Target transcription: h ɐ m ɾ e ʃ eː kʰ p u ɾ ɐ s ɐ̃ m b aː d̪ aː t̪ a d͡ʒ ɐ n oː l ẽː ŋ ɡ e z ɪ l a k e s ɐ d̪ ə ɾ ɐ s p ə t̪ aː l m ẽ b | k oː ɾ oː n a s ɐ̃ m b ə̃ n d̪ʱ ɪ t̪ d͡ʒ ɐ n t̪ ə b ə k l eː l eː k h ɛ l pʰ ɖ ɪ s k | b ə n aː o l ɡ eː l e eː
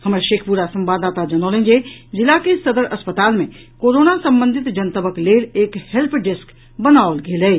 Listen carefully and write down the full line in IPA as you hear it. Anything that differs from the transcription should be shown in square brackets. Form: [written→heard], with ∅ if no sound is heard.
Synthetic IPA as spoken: h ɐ m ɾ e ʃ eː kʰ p u ɾ [ɐ→a] s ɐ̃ m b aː d̪ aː t̪ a d͡ʒ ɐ n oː l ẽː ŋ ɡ e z ɪ l a k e s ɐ d̪ ə ɾ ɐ s p ə t̪ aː l m ẽ [b→∅] | k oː ɾ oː n a s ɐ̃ m b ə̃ n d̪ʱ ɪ t̪ d͡ʒ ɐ n t̪ ə b ə k l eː l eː k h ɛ l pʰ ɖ ɪ s k | b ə n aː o l ɡ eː l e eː